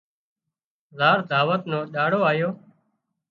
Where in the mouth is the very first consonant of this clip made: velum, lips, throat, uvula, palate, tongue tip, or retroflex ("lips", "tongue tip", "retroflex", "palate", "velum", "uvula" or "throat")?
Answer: tongue tip